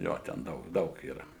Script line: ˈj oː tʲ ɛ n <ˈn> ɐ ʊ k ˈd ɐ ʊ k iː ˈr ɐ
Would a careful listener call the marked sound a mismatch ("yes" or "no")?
yes